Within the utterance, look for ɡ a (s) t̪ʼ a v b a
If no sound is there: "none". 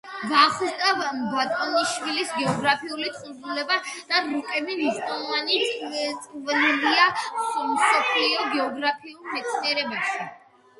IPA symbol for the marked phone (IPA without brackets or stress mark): χ